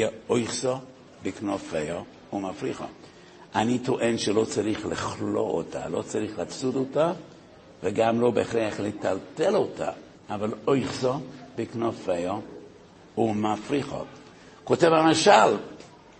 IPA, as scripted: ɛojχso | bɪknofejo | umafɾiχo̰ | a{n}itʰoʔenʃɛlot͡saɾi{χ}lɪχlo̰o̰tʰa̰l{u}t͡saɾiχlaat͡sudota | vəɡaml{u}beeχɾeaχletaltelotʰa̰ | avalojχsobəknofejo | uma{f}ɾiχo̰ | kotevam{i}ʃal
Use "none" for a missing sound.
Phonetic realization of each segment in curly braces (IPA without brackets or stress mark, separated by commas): n, χ, o, o, f, a